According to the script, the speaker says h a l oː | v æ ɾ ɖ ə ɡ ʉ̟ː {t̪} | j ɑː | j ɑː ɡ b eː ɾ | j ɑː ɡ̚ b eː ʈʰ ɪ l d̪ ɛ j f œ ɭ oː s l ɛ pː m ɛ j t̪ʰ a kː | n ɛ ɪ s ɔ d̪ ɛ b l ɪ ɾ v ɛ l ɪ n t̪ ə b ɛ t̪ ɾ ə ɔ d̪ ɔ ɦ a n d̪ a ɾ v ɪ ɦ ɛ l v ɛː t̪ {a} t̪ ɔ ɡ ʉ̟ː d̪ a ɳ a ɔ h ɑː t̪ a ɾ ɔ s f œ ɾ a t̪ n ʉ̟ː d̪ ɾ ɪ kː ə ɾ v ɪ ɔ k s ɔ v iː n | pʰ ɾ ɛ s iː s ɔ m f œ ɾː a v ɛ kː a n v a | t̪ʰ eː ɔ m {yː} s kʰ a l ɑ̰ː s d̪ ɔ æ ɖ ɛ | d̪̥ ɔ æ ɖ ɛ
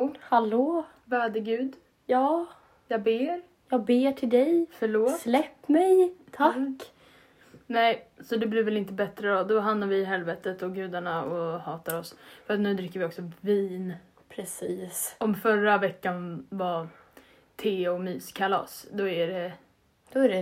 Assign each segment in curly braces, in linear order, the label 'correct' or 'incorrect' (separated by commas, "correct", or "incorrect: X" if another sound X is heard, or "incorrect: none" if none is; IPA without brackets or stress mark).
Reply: incorrect: d̪, incorrect: ə, correct